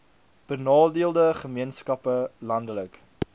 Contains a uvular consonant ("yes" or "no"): yes